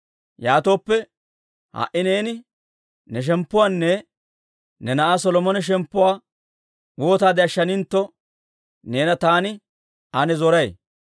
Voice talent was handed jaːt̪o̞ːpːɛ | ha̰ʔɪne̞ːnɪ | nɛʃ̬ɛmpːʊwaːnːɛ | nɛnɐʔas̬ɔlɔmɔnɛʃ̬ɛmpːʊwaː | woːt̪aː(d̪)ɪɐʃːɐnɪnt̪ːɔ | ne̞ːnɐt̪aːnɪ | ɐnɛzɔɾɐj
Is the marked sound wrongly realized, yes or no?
no